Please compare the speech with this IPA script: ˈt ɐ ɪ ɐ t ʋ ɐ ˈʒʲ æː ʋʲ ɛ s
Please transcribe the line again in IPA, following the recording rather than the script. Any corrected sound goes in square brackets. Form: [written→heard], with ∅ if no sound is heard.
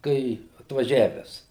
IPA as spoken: [ˈt→ˈk] ɐ ɪ ɐ t ʋ ɐ ˈʒʲ æː ʋʲ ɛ s